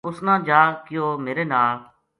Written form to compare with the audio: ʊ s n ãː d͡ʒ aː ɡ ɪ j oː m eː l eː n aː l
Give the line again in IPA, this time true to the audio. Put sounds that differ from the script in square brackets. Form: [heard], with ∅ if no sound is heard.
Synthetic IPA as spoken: ʊ s n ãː d͡ʒ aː [k] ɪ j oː m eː [ɾ] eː n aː l